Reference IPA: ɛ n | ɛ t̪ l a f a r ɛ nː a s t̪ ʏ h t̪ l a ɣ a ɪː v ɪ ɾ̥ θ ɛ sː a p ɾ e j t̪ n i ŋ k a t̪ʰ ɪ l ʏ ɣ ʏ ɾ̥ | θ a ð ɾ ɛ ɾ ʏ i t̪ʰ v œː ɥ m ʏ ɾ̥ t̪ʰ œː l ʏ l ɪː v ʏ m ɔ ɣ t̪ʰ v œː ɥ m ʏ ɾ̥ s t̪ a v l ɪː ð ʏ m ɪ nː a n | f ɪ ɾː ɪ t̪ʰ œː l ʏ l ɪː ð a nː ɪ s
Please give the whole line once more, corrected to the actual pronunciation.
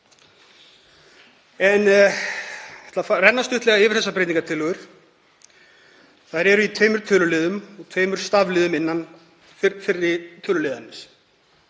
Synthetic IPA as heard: ɛ n | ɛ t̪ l a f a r ɛ nː a s t̪ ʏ h t̪ l ɛ ɣ a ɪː v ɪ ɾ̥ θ ɛ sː a p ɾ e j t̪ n i ŋ k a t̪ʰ ɪ l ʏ ɣ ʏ ɾ̥ | θ a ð ɾ ɛ ɾ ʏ i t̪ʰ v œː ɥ m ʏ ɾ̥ t̪ʰ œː l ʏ l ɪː ð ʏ m ɔ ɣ t̪ʰ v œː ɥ m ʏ ɾ̥ s t̪ a v l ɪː ð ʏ m ɪ nː a n | f ɪ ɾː ɪ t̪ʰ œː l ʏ l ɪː ð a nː ɪ s